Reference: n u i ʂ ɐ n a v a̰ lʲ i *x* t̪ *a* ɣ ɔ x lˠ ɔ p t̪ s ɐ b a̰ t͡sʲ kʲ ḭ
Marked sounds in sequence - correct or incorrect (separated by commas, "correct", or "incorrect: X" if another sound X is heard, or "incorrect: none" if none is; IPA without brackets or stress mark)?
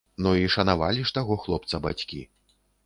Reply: incorrect: ʂ, correct